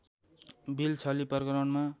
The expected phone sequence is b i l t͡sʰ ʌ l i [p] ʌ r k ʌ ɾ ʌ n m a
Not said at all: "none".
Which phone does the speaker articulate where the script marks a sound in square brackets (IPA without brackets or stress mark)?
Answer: p